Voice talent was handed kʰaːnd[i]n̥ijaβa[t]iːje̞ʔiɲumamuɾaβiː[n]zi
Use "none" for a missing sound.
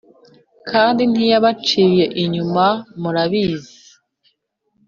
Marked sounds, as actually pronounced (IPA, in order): i, t͡ʃ, none

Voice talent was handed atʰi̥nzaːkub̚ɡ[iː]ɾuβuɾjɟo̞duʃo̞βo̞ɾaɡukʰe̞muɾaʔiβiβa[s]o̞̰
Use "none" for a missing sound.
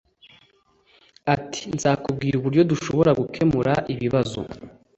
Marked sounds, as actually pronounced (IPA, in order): iː, z

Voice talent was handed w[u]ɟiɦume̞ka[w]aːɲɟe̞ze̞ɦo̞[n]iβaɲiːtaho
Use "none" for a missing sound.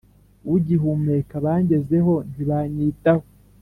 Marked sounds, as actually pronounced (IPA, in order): u, β, n

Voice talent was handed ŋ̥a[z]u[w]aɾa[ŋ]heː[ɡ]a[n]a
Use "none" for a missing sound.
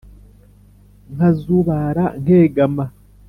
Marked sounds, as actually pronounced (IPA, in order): z, β, ŋ, ɡ, m

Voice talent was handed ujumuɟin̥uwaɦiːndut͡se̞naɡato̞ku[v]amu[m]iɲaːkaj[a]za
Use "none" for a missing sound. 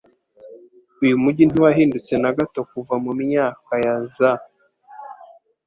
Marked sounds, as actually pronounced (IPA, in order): v, m, a

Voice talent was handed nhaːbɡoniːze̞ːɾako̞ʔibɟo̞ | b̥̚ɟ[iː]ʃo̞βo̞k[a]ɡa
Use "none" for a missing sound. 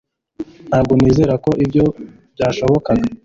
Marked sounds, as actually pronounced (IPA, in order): aː, a

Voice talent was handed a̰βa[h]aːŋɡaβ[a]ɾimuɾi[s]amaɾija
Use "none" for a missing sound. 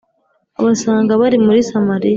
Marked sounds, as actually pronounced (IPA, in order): s, a, s

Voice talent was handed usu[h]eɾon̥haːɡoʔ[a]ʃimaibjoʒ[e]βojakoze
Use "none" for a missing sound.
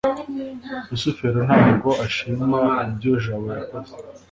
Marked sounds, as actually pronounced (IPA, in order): f, a, a

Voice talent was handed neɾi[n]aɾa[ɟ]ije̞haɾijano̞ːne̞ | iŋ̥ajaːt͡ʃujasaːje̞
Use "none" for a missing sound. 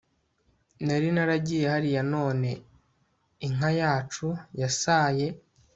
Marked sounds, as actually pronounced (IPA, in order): n, ɟ

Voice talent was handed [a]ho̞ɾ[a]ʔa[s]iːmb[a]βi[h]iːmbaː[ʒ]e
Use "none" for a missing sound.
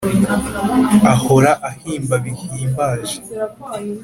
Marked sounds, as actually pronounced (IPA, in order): a, a, h, a, h, ʒ

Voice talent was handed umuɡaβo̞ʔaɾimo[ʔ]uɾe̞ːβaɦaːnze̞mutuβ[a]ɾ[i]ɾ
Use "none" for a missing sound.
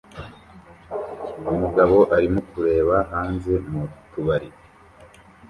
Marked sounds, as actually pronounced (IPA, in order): k, a, i

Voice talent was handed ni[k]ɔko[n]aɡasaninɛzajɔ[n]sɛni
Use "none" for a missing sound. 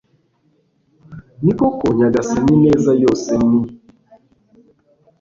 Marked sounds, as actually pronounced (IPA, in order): k, ɲ, none

